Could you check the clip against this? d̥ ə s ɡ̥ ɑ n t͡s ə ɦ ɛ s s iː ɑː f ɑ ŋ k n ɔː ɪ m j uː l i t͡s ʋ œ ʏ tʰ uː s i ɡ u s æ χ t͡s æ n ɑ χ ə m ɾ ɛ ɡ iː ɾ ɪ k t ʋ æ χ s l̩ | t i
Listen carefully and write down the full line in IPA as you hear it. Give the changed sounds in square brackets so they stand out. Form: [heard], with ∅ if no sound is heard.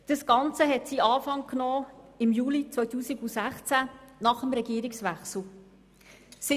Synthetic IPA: d̥ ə s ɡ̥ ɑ n t͡s ə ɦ ɛ [t] s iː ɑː f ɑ ŋ k n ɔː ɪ m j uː l i t͡s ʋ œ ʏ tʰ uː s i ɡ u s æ χ t͡s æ n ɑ χ ə m ɾ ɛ ɡ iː ɾ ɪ k [s] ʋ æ χ s l̩ | [s] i